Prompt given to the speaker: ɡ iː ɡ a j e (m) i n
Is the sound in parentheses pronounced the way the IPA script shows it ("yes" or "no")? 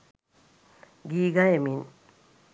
yes